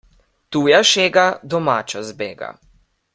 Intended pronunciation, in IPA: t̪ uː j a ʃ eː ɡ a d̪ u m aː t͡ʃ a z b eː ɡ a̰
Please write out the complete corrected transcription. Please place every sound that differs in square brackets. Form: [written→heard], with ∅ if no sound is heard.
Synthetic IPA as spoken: t̪ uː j a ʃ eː ɡ a d̪ [u→ɔ] m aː t͡ʃ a z b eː ɡ a̰